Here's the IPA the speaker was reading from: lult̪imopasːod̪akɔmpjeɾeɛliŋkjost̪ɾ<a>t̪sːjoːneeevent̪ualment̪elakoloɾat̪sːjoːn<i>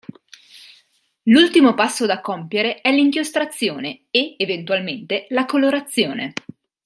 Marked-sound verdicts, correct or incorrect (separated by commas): correct, incorrect